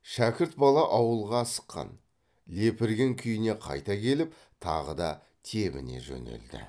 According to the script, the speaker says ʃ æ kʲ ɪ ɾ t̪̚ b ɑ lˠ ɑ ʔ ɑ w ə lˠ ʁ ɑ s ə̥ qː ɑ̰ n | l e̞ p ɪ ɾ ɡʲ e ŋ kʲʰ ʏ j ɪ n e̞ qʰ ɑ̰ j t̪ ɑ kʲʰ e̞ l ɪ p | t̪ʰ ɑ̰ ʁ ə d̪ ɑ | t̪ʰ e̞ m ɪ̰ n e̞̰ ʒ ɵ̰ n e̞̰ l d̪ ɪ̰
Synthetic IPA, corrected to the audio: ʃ æ kʲ ɪ ɾ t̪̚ b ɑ lˠ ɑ ʔ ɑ w ə lˠ ʁ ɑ s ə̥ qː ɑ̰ n | l e̞ p ɪ ɾ ɡʲ e ŋ kʲʰ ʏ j ɪ n e̞ qʰ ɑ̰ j t̪ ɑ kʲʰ e̞ l ɪ p | t̪ʰ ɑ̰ ʁ ə d̪ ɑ | t̪ʰ e̞ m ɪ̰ n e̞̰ ʒ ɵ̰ n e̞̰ l d̪ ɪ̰